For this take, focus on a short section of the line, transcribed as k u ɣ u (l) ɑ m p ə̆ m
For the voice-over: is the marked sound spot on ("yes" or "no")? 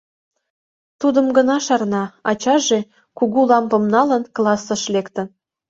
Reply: yes